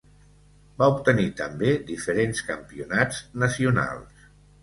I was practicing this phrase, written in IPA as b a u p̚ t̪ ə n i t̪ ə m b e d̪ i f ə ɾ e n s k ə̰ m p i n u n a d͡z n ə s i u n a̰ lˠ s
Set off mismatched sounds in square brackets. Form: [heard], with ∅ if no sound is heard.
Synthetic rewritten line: b a u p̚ t̪ ə n i t̪ ə m b e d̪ i f ə ɾ e n s k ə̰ m p i [∅] u n a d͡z n ə s i u n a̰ lˠ s